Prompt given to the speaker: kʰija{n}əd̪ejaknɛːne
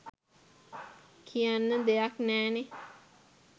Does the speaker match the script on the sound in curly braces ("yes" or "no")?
no